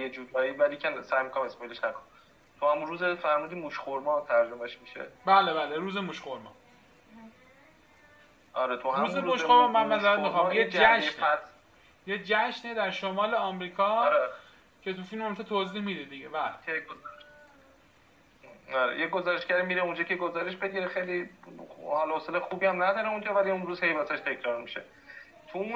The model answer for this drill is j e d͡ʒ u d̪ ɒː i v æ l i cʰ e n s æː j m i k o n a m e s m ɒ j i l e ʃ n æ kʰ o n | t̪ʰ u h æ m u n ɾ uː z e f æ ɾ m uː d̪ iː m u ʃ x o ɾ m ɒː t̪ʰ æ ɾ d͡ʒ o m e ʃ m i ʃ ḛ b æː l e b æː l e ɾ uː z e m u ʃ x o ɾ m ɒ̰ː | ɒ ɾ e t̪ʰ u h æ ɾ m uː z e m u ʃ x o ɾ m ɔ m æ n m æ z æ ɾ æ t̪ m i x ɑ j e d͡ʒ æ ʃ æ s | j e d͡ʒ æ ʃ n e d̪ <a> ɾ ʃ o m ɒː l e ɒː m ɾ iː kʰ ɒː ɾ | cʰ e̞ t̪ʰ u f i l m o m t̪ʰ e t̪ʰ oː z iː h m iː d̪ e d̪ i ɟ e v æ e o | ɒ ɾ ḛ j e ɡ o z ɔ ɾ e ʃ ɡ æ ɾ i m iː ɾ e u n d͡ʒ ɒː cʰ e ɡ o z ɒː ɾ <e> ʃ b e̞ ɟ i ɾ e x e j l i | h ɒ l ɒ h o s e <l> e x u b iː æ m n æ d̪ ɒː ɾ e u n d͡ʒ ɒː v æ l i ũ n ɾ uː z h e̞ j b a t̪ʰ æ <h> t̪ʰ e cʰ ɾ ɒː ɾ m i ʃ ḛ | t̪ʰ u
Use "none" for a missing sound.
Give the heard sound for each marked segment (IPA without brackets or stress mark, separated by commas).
æ, e, l, ʃ